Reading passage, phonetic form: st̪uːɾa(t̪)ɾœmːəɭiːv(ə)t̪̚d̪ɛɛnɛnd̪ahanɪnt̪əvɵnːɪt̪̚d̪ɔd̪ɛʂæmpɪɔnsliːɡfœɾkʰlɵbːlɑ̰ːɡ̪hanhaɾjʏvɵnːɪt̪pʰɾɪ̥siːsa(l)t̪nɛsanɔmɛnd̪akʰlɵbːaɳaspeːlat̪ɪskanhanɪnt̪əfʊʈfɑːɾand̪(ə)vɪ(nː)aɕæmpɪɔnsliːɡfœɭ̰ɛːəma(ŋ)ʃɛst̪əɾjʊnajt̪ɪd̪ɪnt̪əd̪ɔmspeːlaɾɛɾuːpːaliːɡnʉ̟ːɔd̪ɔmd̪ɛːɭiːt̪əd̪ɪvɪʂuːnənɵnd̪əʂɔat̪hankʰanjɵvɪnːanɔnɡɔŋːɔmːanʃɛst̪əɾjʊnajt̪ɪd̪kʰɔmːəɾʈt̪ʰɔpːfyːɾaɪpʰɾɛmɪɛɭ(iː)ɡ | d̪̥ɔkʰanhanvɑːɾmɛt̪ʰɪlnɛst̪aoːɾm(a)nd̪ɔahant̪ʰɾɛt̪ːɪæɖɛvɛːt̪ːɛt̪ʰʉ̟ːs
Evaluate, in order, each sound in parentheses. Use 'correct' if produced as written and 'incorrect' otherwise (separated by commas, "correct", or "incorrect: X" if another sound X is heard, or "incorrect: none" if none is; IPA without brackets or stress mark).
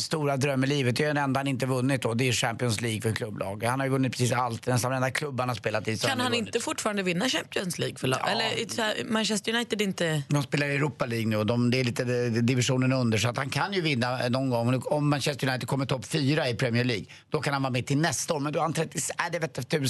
incorrect: d̪, correct, correct, correct, correct, incorrect: n, correct, incorrect: ɛ